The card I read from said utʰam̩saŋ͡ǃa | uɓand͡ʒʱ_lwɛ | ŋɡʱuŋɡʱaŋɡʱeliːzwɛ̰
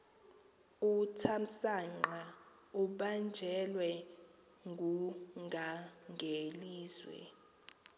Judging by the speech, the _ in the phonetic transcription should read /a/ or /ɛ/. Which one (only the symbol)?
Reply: ɛ